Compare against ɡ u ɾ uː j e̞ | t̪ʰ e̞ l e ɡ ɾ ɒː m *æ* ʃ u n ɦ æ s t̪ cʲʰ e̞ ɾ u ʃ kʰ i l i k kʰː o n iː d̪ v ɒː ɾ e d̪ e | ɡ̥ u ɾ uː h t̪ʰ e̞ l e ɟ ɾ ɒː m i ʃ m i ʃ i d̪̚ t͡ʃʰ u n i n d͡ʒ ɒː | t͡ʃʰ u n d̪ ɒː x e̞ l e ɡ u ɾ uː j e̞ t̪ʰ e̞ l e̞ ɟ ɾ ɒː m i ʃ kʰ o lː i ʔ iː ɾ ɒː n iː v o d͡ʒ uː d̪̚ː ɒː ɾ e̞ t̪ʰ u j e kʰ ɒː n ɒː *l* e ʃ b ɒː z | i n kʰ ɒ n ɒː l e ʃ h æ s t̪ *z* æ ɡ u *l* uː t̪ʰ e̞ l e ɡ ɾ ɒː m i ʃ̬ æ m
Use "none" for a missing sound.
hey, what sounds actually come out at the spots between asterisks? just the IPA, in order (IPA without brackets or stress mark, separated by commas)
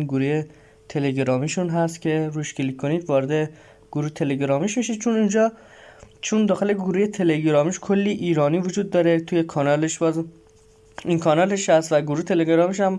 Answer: i, l, v, ɾ